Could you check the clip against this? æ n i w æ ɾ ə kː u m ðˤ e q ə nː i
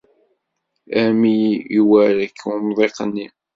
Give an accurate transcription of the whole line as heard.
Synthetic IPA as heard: æ m i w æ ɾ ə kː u m ðˤ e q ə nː i